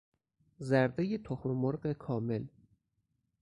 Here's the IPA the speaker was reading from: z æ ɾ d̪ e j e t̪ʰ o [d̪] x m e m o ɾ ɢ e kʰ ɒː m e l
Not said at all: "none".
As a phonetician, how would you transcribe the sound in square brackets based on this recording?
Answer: none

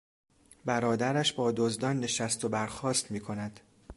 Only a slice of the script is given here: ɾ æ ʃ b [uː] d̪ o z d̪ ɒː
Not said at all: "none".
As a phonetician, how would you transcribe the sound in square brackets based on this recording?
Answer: ɒː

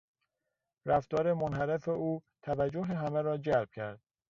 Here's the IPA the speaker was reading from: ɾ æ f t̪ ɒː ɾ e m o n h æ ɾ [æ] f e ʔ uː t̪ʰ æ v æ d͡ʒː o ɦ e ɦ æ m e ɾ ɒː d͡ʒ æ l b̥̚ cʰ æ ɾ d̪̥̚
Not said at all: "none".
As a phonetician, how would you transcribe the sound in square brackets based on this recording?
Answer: e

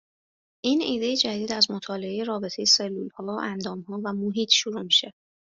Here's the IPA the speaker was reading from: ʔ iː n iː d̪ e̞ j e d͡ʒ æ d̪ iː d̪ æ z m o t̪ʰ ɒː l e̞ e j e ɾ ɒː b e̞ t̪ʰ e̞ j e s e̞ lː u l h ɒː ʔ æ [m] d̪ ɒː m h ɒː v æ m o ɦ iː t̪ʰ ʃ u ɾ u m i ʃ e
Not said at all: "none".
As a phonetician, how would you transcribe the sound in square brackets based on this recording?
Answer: n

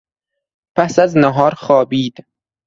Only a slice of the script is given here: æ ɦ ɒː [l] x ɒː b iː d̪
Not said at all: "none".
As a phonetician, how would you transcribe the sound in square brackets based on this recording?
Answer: ɾ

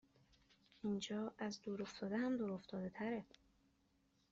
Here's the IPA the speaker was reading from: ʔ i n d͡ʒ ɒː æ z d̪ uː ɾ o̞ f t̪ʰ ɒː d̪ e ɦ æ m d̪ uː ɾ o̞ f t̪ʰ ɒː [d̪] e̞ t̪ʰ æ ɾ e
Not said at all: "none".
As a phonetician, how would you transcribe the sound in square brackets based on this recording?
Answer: d̪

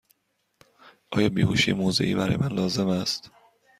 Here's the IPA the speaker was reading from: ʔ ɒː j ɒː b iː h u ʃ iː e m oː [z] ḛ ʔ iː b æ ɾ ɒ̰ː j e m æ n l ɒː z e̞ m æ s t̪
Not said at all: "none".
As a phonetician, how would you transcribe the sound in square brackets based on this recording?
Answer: z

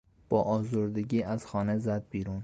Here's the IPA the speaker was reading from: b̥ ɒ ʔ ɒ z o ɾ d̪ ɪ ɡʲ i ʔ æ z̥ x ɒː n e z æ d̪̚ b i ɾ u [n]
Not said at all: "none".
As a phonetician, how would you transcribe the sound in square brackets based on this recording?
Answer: n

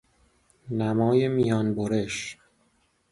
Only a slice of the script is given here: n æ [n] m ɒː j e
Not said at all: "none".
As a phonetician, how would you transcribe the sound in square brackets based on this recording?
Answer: none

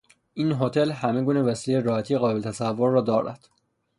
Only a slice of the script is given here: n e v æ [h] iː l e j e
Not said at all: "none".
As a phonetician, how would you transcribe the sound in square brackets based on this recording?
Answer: s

